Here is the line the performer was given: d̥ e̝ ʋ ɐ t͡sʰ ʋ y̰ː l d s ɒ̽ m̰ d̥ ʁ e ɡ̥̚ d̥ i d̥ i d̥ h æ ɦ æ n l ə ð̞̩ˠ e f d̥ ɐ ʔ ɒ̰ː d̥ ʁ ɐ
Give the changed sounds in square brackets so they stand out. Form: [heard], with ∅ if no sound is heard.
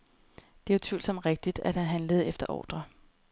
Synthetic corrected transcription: d̥ e̝ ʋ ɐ t͡sʰ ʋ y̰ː l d s ɒ̽ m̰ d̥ ʁ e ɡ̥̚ d̥ i d̥ [æ] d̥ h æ ɦ æ n l ə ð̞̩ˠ e f d̥ ɐ ʔ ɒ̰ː d̥ ʁ ɐ